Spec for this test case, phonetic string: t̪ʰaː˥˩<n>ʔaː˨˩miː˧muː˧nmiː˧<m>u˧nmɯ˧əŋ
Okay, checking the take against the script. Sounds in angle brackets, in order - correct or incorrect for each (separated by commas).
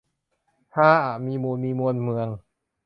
incorrect, correct